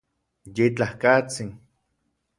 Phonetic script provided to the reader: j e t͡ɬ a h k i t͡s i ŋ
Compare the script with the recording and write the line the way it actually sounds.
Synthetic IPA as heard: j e t͡ɬ a h k a t͡s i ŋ